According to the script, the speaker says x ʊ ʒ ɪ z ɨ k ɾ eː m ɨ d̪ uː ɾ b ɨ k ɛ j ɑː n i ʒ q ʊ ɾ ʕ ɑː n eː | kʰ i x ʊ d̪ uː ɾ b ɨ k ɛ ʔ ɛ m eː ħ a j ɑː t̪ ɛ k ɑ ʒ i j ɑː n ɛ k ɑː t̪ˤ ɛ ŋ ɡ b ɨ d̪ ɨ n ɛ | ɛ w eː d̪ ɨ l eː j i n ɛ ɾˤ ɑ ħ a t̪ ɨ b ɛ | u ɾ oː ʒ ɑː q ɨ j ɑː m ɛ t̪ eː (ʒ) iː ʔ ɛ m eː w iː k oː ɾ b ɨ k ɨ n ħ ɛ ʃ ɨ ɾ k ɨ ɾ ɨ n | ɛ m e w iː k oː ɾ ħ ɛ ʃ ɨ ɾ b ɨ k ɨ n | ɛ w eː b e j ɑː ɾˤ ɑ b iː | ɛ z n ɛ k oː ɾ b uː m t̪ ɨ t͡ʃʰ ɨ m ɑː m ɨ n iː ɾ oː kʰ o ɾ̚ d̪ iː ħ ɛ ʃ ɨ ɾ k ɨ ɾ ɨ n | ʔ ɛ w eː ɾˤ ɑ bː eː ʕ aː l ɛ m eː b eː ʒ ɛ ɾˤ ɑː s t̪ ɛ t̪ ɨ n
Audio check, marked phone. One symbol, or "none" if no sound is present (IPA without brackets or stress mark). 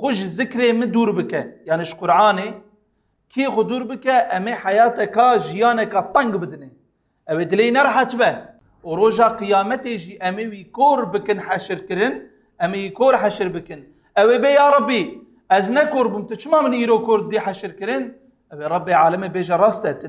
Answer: ʒ